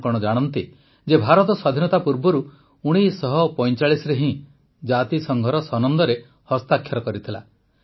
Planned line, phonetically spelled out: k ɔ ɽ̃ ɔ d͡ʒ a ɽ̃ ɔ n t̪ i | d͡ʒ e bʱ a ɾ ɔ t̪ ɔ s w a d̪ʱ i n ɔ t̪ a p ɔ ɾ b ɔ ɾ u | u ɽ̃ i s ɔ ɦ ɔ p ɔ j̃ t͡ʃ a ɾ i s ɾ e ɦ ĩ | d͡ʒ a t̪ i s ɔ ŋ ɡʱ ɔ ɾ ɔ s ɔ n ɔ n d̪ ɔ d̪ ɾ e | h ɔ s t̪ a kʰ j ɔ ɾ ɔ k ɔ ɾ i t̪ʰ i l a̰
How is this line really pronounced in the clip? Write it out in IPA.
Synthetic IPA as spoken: k ɔ ɽ̃ ɔ d͡ʒ a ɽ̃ ɔ n t̪ i | d͡ʒ e bʱ a ɾ ɔ t̪ ɔ s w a d̪ʱ i n ɔ t̪ a p u ɾ b ɔ ɾ u | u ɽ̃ i s ɔ ɦ ɔ p ɔ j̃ t͡ʃ a ɭ i s ɾ e ɦ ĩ | d͡ʒ a t̪ i s ɔ ŋ ɡʱ ɔ ɾ ɔ s ɔ n ɔ n d̪ ɔ ɾ e | h ɔ s t̪ a kʰ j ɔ ɾ ɔ k ɔ ɾ i t̪ʰ i l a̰